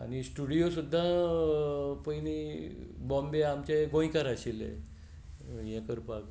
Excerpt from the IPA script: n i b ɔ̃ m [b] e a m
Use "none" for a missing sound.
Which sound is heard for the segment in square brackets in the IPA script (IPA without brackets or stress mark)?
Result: b